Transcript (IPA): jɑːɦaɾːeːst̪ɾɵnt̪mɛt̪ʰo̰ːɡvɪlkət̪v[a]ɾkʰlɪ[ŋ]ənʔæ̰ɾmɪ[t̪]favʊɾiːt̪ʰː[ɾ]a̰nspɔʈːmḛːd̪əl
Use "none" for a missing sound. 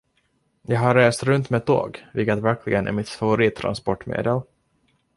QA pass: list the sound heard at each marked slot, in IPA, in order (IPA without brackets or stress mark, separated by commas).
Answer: æ, ɡ, t̪, ɾ